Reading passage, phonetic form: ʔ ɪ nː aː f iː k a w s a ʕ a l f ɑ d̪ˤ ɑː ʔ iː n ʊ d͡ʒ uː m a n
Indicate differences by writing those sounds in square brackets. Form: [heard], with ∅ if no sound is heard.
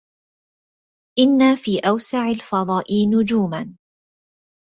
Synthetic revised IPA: ʔ ɪ nː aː f iː [ʔ] a w s a ʕ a l f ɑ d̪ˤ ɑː ʔ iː n ʊ d͡ʒ uː m a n